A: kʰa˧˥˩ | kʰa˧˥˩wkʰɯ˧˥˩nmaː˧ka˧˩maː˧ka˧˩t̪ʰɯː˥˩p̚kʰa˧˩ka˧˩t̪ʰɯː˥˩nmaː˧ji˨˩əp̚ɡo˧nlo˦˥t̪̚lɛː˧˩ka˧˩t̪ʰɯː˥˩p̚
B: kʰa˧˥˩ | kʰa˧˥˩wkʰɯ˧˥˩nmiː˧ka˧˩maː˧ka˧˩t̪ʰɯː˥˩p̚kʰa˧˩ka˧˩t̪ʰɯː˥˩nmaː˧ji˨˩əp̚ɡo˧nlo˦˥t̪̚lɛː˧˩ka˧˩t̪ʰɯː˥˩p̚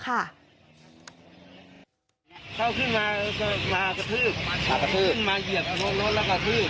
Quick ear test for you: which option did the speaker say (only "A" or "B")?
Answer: A